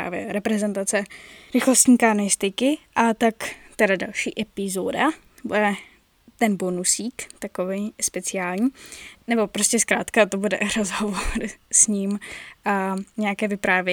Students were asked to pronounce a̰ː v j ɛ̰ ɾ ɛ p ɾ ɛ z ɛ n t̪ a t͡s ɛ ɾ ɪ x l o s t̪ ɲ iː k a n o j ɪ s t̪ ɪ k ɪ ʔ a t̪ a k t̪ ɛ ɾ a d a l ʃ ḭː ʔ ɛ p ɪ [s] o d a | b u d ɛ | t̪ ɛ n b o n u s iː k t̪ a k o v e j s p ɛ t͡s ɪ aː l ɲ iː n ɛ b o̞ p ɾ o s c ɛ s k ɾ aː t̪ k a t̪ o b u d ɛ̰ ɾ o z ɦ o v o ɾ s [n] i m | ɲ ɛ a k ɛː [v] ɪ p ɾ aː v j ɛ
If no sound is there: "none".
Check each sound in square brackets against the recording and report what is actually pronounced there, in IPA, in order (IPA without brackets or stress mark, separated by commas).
z, ɲ, v